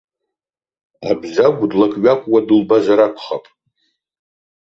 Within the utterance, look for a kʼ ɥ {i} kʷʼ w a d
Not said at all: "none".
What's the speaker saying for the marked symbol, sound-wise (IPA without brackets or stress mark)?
a